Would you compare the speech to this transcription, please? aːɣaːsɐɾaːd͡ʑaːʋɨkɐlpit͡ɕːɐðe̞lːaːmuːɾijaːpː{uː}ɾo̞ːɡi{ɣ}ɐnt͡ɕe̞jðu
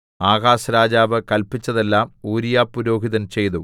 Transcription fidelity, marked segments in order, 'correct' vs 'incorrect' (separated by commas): incorrect, incorrect